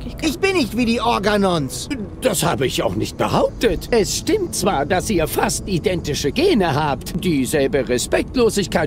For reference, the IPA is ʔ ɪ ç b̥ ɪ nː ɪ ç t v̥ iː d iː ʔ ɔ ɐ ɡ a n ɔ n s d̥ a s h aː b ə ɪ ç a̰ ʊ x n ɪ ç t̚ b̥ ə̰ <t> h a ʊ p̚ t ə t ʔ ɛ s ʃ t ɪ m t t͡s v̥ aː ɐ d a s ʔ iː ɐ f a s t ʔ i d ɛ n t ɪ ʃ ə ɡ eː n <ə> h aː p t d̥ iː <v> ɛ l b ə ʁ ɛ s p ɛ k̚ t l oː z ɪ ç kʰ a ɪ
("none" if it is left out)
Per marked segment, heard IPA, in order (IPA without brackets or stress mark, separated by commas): none, ə, z